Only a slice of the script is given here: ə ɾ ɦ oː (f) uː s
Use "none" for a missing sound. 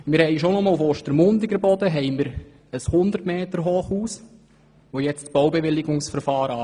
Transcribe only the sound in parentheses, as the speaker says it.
χ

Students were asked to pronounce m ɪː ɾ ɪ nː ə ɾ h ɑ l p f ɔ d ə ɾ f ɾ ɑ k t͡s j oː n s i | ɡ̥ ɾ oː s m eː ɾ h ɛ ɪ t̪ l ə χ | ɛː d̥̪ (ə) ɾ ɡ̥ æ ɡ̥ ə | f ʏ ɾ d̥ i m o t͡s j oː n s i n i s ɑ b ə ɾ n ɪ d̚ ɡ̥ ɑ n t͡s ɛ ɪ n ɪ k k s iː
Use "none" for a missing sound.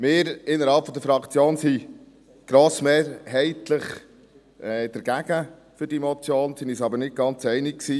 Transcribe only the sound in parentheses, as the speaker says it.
ə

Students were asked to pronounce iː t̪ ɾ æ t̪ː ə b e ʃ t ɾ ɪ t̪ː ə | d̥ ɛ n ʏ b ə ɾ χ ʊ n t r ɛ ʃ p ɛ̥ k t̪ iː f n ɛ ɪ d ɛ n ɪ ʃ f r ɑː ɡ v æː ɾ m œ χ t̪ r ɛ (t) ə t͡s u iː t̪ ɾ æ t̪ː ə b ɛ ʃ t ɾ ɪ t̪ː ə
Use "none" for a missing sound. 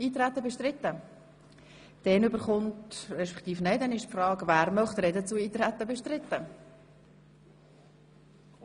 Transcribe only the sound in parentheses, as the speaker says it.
d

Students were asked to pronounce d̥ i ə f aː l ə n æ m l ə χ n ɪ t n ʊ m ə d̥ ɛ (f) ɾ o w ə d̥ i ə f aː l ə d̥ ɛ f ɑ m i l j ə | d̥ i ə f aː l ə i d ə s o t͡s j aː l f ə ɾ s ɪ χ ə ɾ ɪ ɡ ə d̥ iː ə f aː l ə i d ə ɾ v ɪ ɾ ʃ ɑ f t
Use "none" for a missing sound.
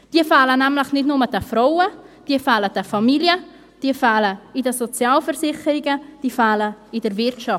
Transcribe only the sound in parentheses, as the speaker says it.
f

